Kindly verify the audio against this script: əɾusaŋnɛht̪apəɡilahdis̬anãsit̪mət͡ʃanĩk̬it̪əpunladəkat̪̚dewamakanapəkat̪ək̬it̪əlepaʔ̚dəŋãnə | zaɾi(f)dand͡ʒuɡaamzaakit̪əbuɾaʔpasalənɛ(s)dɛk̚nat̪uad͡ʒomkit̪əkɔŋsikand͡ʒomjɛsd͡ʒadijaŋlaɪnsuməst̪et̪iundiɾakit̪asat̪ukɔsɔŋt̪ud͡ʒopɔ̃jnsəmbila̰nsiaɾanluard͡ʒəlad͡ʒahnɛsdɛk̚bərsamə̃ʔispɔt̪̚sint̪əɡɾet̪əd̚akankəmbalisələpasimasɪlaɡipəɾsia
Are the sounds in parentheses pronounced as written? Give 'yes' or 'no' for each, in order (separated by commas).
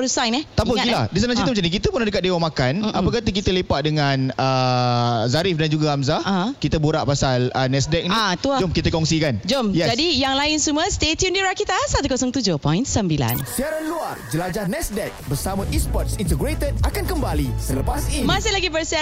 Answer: yes, yes